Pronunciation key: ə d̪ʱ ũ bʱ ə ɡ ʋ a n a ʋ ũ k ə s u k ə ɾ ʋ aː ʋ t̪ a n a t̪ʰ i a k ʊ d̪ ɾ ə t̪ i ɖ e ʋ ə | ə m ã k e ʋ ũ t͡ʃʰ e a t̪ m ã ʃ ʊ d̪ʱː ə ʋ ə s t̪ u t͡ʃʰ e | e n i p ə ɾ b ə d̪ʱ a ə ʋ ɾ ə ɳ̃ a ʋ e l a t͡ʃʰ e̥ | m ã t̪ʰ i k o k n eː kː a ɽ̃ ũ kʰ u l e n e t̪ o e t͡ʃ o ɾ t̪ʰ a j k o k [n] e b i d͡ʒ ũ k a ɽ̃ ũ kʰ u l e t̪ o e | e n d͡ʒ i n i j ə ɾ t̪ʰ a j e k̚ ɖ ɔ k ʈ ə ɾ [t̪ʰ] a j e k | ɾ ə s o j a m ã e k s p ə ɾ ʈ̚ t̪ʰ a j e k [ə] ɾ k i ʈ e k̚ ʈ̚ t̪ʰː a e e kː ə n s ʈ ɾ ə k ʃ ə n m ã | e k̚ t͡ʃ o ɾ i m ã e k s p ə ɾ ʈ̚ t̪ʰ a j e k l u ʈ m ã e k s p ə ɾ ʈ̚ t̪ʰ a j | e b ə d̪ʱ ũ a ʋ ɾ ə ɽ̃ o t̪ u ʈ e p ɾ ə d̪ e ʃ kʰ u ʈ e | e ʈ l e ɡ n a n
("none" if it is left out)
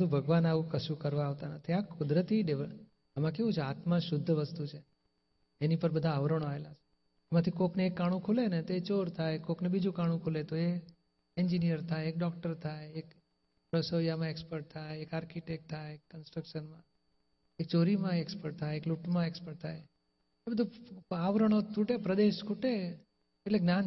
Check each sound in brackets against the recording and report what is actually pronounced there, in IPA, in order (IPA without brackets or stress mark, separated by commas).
n, t̪ʰ, a